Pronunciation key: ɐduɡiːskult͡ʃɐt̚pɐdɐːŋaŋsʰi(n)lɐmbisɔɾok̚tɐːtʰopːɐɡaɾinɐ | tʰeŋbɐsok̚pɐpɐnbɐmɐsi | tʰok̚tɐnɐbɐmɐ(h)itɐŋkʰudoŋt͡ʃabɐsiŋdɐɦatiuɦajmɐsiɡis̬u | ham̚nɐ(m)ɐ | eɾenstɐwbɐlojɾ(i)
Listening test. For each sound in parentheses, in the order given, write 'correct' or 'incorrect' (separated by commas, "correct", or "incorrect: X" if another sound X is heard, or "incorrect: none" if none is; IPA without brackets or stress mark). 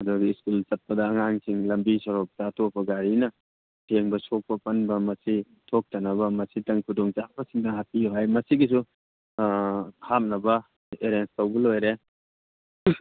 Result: incorrect: ŋ, incorrect: s, incorrect: b, incorrect: e